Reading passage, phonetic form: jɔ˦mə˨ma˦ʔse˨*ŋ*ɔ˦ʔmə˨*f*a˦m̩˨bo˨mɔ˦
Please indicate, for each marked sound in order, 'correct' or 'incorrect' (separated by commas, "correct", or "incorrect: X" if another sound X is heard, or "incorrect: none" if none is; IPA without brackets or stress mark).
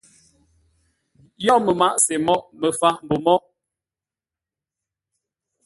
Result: incorrect: m, correct